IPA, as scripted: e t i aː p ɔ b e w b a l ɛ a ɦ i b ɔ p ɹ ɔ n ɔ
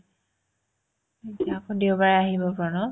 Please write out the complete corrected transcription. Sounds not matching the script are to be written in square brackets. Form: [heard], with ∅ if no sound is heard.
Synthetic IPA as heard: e t i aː [k] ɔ [d] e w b a [ɹ] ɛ a ɦ i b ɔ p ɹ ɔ n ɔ